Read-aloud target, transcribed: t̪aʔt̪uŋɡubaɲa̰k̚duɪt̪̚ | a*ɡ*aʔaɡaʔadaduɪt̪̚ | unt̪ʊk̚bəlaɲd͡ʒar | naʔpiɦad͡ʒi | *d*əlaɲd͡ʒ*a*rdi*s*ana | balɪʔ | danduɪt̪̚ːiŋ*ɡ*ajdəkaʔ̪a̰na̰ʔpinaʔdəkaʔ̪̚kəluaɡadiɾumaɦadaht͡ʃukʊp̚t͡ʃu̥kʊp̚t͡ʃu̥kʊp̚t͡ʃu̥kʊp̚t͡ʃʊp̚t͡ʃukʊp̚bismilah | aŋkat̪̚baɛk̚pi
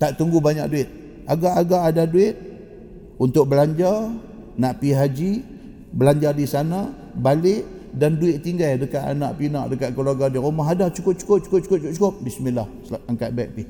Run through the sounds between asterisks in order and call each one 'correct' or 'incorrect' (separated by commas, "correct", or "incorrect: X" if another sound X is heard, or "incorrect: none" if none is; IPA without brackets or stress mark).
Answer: correct, incorrect: b, correct, correct, correct